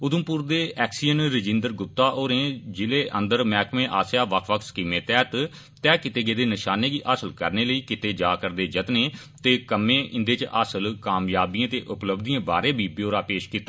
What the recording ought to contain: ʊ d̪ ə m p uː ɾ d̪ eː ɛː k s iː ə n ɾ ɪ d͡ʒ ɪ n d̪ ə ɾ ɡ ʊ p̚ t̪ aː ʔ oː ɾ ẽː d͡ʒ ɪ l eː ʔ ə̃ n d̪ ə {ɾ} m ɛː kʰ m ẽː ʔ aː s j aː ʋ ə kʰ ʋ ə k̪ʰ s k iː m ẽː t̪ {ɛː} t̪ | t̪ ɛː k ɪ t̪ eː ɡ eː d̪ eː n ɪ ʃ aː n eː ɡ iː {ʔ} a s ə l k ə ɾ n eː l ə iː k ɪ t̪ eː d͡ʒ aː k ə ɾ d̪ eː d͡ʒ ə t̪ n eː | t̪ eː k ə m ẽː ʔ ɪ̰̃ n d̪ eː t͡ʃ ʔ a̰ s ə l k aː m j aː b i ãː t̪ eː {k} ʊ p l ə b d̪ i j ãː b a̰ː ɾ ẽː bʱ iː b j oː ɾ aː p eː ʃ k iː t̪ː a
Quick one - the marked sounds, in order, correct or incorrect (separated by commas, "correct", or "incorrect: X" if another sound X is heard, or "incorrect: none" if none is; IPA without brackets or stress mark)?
correct, correct, correct, incorrect: ʔ